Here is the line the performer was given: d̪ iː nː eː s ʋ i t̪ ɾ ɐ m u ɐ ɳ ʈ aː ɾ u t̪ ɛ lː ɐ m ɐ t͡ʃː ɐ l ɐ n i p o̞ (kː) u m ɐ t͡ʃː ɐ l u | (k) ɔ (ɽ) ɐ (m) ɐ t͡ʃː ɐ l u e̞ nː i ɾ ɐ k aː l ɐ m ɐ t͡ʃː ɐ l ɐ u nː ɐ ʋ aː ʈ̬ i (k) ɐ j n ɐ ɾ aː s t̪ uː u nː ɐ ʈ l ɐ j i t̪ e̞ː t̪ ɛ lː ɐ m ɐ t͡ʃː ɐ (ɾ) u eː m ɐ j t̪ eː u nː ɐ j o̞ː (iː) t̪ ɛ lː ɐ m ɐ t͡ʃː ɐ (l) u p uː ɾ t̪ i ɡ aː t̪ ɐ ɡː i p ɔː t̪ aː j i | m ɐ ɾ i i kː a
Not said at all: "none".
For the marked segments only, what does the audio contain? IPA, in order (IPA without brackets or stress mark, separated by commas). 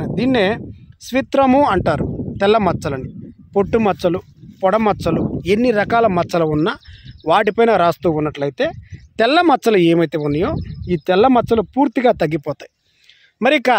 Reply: ʈː, p, ɽ, m, p, l, iː, l